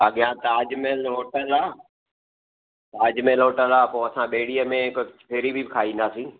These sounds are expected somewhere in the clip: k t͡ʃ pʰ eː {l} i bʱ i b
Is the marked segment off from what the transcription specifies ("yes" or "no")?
yes